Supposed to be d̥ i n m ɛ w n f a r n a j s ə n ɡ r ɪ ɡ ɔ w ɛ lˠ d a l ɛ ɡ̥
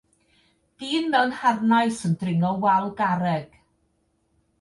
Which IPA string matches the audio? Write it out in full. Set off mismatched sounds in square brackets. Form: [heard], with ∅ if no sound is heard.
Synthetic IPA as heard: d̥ [iː] n m ɛ w n [h] a r n a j s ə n [d] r ɪ [ŋ] ɔ w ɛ lˠ [ɡ] a [ɾ] ɛ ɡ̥